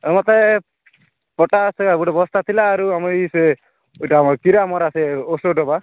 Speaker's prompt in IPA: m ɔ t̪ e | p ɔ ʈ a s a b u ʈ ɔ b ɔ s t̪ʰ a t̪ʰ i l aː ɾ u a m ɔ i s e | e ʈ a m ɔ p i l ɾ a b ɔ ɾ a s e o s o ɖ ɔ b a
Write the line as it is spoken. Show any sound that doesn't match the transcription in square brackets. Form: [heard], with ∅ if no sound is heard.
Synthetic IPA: m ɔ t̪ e | p ɔ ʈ a s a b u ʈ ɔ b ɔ s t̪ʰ a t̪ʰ i l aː ɾ u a m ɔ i s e | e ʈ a m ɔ [k] i [∅] ɾ a [m] ɔ ɾ a s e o s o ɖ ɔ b a